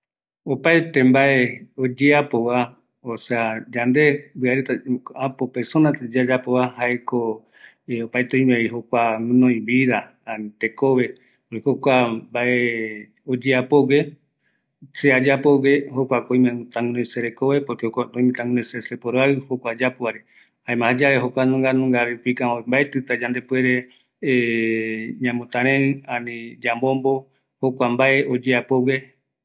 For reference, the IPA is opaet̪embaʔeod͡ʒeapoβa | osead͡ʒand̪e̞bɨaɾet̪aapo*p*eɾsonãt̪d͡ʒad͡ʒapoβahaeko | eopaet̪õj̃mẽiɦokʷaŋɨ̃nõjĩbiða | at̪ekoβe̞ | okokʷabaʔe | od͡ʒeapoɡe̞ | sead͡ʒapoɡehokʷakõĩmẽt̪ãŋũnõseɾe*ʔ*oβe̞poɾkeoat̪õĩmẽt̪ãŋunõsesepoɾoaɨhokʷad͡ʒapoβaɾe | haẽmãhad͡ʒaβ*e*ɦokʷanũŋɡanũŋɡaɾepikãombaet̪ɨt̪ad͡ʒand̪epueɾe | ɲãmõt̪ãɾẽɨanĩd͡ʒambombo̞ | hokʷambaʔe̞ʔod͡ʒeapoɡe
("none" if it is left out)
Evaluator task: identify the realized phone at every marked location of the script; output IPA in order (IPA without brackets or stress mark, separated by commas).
p, k, e